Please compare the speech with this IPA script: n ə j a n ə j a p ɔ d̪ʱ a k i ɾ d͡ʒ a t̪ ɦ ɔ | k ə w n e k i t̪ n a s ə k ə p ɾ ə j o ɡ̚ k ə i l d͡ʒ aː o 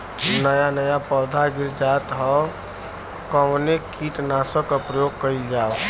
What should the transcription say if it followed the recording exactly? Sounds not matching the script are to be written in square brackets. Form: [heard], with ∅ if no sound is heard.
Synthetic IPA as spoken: n ə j a n ə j a p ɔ d̪ʱ a [ɡ] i ɾ d͡ʒ a t̪ ɦ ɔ | k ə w n e k i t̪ n a s ə k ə p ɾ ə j o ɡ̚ k ə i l d͡ʒ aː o

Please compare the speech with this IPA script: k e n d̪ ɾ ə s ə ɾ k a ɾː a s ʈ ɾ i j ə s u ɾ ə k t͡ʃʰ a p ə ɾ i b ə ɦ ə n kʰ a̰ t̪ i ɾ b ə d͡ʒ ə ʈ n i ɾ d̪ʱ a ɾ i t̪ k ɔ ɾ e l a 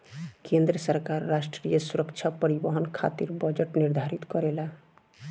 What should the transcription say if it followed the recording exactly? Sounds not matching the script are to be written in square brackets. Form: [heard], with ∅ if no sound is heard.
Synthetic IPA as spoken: k e n d̪ ɾ ə s ə ɾ k a ɾː a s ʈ ɾ i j ə s u ɾ ə k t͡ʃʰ a p ə ɾ i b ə ɦ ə n kʰ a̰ t̪ i ɾ b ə d͡ʒ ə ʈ n i ɾ d̪ʱ a ɾ i t̪ k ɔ ɾ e l a

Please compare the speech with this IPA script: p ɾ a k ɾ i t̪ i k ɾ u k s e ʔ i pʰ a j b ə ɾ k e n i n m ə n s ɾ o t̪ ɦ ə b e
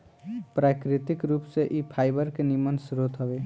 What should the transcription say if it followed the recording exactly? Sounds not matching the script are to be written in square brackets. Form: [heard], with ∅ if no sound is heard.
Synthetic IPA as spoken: p ɾ a k ɾ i t̪ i k ɾ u [p] s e ʔ i pʰ a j b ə ɾ k e n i [∅] m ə n s ɾ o t̪ ɦ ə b e

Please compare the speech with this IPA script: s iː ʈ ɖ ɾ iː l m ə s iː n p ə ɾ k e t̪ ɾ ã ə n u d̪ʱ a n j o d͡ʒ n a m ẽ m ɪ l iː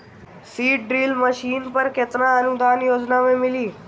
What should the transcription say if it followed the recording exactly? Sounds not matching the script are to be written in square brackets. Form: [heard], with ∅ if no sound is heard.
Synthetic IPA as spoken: s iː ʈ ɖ ɾ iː l m ə [ʃ] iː n p ə ɾ k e t̪ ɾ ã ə n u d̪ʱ a n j o d͡ʒ n a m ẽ m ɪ l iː

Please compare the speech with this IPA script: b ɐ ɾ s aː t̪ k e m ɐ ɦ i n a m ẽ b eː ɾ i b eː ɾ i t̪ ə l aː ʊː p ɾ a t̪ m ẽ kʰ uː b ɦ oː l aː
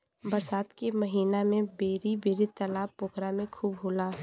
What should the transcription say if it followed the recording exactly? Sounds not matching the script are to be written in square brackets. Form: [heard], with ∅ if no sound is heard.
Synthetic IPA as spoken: b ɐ ɾ s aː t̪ k e m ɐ ɦ [iː] n a m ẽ b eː ɾ i b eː ɾ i t̪ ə l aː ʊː [k] ɾ a [∅] m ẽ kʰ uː b ɦ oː l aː

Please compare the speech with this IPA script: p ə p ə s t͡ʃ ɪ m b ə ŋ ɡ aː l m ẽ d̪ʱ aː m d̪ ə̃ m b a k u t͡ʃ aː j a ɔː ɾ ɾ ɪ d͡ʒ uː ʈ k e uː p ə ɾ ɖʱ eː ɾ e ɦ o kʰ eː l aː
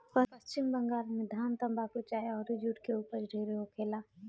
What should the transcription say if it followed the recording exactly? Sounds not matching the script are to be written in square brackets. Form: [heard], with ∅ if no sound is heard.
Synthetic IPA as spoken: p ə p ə s t͡ʃ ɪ m b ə ŋ ɡ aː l m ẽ d̪ʱ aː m [t̪] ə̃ m b a k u t͡ʃ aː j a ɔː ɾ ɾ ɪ d͡ʒ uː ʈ k e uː p ə ɾ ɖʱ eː ɾ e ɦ o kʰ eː l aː

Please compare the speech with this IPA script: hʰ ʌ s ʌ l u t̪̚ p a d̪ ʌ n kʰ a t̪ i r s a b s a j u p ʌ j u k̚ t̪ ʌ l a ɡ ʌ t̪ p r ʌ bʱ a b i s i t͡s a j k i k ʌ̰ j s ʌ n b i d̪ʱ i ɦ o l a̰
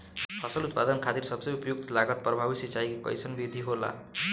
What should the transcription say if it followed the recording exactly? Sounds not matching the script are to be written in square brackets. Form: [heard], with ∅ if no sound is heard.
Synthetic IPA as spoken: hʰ ʌ s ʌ l u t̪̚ p a d̪ ʌ n kʰ a t̪ i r s [ʌ] b s [ʌ] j u p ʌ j u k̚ t̪ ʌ l a ɡ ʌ t̪ p r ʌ bʱ a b i s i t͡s a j k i k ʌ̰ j s ʌ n b i d̪ʱ i ɦ o l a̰

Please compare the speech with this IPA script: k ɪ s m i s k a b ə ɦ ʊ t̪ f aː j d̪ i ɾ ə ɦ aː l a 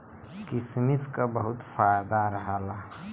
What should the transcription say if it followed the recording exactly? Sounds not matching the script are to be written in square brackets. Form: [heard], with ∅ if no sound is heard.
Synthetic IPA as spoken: k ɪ s m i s k a b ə ɦ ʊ t̪ f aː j d̪ [a] ɾ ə ɦ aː l a

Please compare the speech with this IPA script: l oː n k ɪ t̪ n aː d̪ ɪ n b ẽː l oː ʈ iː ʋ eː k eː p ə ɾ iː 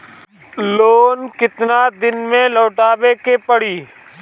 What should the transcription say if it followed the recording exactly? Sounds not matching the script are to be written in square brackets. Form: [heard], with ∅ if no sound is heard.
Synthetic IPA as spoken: l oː n k ɪ t̪ n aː d̪ ɪ n [m] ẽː l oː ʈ [aː] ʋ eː k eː p ə [ɽ] iː

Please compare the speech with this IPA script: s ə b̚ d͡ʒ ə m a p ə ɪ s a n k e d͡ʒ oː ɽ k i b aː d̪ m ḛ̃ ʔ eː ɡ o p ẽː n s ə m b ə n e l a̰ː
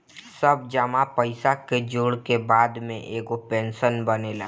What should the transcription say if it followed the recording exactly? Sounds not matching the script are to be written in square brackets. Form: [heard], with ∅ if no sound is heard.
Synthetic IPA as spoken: s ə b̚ d͡ʒ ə m a p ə ɪ s a [∅] k e d͡ʒ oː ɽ k [e] b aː d̪ m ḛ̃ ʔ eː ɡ o p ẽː n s ə [n] b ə n e l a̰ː

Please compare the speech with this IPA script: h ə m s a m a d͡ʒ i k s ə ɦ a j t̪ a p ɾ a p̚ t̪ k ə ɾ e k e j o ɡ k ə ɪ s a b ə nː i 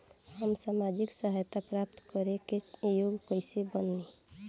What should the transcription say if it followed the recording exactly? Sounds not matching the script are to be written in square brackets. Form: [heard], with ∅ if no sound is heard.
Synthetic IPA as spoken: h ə m s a m a d͡ʒ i k s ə ɦ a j t̪ a p ɾ a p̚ t̪ k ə ɾ e k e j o ɡ k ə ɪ s [e] b ə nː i

